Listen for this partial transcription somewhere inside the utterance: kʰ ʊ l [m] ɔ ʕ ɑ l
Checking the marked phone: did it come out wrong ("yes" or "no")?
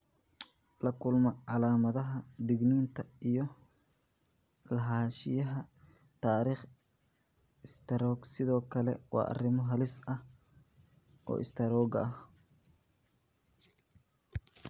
no